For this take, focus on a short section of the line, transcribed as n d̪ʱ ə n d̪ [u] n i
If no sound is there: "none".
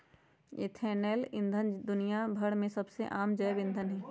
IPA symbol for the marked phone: ʊ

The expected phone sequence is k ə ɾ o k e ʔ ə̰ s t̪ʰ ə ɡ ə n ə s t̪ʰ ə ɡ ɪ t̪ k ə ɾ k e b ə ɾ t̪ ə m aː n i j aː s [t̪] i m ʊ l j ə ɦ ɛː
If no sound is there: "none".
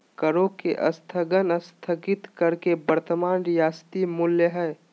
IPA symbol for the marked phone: t̪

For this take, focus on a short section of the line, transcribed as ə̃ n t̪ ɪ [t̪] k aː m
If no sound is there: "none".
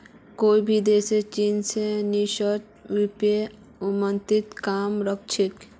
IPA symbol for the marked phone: t̪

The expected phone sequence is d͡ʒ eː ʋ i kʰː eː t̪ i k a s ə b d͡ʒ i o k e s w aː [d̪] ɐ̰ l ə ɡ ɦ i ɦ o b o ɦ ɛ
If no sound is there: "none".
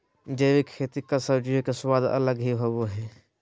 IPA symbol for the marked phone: d̪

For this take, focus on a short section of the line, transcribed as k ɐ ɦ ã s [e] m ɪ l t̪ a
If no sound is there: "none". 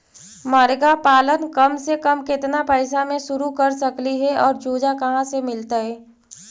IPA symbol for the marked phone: e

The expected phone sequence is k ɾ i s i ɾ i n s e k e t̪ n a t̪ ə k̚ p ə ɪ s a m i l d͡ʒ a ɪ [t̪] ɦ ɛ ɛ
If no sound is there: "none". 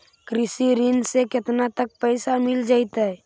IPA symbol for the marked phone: t̪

